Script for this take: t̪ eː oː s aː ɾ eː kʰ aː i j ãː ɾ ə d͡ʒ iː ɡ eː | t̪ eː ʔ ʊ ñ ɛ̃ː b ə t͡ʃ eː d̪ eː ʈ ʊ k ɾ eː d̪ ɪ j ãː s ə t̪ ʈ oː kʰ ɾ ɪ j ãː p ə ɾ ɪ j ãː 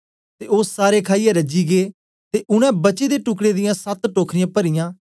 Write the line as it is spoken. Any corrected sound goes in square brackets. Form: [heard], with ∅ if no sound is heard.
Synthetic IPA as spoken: t̪ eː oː s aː ɾ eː kʰ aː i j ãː ɾ ə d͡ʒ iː ɡ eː | t̪ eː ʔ ʊ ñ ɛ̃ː b ə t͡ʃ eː d̪ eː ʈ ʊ k [ɽ] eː d̪ ɪ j ãː s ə t̪ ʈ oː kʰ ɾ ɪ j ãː p ə ɾ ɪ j ãː